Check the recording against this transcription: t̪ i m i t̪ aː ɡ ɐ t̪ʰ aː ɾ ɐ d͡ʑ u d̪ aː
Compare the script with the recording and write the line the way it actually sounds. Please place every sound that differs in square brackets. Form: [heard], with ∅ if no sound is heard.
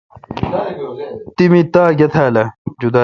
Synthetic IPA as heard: t̪ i m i t̪ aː ɡ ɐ t̪ʰ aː [l] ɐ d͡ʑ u d̪ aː